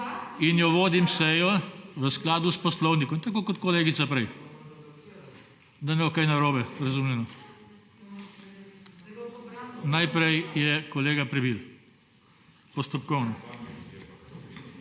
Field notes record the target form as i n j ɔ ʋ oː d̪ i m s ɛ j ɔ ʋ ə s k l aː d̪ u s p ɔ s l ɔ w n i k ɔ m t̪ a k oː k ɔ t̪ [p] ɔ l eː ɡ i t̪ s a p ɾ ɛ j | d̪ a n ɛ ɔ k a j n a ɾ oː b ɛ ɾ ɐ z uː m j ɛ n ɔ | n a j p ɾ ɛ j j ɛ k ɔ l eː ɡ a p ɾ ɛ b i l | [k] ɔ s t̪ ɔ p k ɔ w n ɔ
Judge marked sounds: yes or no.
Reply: no, no

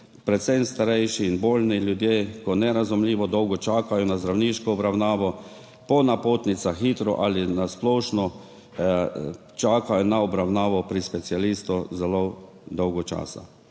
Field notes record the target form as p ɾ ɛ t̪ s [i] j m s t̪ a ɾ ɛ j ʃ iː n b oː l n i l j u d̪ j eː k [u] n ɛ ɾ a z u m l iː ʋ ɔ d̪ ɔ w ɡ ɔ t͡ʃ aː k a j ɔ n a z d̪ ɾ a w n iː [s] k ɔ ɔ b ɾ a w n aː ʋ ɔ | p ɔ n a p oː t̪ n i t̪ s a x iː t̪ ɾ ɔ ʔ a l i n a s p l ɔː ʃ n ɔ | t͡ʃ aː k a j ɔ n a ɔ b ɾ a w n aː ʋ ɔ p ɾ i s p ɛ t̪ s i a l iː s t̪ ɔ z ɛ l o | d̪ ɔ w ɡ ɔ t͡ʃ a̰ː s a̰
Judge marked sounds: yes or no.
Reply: no, no, no

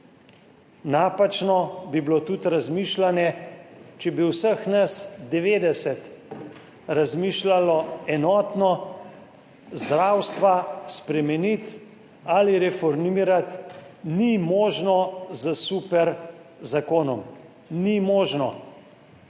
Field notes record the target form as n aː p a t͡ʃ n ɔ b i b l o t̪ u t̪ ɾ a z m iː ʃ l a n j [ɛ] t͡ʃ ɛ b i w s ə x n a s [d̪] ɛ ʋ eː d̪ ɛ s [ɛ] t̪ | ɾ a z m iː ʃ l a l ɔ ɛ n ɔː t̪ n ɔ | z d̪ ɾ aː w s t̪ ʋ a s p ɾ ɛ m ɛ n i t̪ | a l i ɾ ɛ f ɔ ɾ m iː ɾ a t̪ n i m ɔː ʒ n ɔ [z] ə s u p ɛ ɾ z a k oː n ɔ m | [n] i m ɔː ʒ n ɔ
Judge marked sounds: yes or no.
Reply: yes, yes, yes, yes, yes

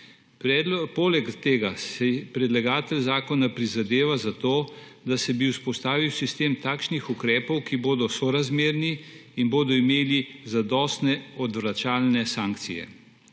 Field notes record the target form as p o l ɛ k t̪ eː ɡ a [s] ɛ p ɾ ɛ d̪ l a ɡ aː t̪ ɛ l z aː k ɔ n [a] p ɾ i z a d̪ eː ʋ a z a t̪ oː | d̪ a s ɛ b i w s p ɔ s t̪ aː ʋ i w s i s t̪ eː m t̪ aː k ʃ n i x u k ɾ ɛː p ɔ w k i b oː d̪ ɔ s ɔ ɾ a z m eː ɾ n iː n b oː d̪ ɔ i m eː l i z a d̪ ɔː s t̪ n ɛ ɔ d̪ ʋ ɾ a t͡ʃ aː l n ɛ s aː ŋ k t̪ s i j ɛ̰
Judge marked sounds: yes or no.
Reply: yes, yes

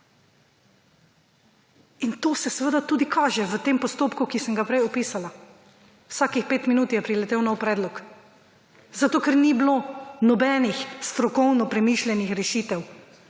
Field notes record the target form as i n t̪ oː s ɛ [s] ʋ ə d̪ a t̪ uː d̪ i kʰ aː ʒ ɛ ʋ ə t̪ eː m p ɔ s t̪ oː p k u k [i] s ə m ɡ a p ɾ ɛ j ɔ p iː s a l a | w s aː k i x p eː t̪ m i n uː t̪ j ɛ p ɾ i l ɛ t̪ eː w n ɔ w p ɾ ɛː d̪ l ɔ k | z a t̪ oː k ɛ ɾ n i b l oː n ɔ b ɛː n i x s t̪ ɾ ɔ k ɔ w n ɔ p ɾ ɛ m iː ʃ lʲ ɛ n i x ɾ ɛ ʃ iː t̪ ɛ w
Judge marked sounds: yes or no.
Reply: yes, yes

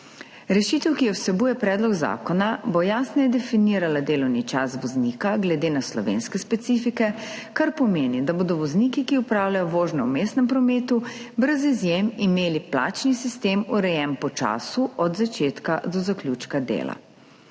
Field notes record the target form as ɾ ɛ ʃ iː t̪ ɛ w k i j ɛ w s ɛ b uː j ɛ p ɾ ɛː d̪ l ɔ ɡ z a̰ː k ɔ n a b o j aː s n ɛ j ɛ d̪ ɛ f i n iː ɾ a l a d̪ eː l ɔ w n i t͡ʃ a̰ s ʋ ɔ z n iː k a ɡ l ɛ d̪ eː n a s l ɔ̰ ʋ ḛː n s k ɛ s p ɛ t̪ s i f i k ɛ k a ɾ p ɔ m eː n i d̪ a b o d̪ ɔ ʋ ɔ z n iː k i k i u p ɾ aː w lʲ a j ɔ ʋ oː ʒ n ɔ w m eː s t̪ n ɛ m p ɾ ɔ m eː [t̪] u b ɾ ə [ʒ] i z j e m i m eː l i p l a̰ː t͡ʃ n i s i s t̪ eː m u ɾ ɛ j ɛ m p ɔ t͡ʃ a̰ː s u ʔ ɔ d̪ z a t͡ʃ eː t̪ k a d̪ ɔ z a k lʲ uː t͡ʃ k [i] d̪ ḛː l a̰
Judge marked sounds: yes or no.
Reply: yes, no, no

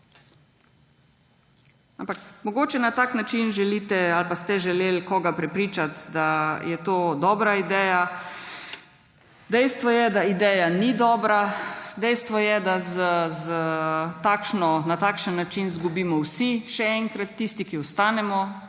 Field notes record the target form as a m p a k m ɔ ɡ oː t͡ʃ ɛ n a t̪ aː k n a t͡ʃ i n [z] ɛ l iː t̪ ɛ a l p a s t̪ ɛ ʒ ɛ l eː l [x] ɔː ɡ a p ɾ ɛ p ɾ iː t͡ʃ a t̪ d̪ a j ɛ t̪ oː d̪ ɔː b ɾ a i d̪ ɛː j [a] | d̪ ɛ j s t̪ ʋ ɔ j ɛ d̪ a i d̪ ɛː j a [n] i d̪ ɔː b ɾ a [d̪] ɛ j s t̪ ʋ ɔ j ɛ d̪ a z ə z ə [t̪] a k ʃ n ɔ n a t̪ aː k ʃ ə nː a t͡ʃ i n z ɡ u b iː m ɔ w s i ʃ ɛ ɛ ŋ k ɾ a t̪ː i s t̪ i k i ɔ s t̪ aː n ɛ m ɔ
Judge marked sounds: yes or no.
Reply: no, no, yes, yes, yes, yes

